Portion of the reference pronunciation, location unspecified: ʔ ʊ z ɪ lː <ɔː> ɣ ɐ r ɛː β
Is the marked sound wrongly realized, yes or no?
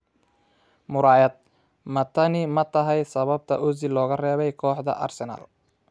no